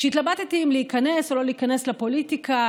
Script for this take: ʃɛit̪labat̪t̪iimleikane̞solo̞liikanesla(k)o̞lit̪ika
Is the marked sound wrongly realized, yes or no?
yes